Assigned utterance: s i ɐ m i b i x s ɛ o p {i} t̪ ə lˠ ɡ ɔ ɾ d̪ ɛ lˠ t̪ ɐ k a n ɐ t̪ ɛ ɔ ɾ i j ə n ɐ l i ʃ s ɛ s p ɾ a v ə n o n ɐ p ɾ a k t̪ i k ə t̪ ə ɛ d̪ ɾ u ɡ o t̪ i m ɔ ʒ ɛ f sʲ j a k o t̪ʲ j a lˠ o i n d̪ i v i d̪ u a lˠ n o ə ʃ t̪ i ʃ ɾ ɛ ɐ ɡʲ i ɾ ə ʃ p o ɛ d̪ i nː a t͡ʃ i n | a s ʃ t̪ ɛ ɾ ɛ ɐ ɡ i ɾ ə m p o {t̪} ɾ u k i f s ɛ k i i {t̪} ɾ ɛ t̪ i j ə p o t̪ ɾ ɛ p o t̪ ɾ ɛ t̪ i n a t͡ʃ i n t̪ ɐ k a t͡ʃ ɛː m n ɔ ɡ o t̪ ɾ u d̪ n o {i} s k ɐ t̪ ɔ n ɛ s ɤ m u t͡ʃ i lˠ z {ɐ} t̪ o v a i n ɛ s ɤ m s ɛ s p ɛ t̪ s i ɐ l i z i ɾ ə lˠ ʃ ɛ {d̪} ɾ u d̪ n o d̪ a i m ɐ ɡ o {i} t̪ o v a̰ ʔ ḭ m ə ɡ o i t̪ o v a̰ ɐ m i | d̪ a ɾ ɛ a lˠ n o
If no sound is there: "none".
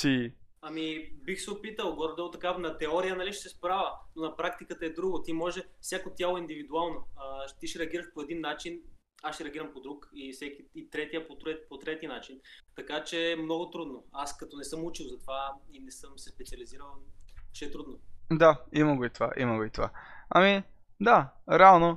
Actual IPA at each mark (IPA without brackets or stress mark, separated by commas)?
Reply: i, d̪, t̪, a, ɐ, t̪, i